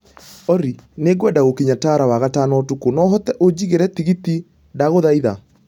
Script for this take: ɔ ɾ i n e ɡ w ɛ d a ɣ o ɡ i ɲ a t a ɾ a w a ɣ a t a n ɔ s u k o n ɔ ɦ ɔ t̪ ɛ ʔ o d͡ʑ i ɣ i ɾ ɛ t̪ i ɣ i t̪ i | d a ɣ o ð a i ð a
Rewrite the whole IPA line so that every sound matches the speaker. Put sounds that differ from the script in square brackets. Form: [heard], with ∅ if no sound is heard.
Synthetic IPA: ɔ ɾ i n e ɡ w ɛ d a ɣ o [k] i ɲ a t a ɾ a w a ɣ a t a n ɔ [t] u k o n ɔ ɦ ɔ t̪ ɛ ʔ o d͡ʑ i ɣ [e] ɾ ɛ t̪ i ɣ i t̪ i | d a ɣ o ð a i ð a